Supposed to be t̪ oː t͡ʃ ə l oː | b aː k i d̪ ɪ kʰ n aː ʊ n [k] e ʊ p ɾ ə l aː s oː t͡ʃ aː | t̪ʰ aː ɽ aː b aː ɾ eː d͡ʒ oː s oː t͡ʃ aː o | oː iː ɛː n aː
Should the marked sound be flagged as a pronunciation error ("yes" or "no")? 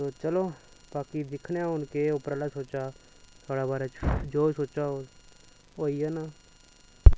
no